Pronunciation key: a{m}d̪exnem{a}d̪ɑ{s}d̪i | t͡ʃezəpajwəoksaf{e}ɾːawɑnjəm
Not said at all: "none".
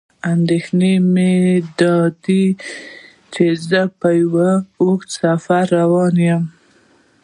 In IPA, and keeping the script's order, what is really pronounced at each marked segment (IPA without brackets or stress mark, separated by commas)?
n, e, none, a